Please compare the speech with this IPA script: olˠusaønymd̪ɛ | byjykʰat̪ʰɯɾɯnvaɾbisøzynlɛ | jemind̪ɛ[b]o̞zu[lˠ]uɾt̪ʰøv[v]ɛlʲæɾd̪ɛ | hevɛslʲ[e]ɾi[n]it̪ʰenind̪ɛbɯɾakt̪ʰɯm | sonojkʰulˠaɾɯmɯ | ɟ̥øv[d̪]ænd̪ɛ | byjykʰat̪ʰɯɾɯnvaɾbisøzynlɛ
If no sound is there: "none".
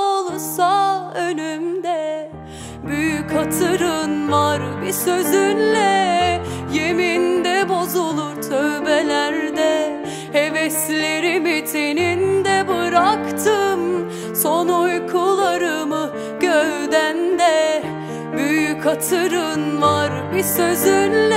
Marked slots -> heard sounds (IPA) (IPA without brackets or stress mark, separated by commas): b, lˠ, b, e, m, d̪